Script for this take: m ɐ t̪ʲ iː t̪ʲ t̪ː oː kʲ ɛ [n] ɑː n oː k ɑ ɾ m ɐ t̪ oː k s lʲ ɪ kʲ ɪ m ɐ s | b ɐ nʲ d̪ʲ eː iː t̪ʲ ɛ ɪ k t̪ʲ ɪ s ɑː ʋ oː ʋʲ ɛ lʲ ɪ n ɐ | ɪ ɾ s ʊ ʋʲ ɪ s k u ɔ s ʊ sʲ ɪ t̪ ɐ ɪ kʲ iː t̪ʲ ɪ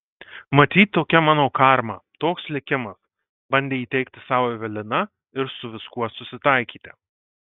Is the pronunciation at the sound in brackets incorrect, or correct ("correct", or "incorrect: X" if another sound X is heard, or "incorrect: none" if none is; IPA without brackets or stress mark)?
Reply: incorrect: m